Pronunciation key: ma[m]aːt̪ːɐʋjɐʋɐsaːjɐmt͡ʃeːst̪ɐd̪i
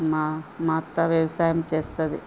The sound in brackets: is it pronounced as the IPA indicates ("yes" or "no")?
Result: yes